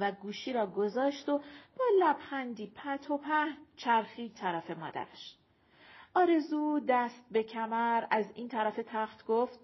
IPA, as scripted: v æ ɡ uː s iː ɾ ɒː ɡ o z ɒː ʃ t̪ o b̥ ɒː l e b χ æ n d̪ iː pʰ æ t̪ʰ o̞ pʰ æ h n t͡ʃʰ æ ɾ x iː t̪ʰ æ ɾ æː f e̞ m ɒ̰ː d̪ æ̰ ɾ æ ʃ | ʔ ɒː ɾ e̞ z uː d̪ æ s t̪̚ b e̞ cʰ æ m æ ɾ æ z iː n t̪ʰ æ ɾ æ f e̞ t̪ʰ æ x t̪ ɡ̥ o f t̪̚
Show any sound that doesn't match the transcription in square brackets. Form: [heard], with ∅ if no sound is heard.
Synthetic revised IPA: v æ ɡ uː [ʃ] iː ɾ ɒː ɡ o z ɒː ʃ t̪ o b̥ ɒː l [æ] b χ æ n d̪ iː pʰ æ t̪ʰ o̞ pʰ æ h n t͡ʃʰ æ ɾ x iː t̪ʰ æ ɾ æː f e̞ m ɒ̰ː d̪ æ̰ ɾ æ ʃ | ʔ ɒː ɾ e̞ z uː d̪ æ s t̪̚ b e̞ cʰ æ m æ ɾ æ z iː n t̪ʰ æ ɾ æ f e̞ t̪ʰ æ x t̪ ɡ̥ o f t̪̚